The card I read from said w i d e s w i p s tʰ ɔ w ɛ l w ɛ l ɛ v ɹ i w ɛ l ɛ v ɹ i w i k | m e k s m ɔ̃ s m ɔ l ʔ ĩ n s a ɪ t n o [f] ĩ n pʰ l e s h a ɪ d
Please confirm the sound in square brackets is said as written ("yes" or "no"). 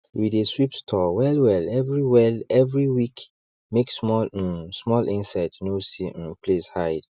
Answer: no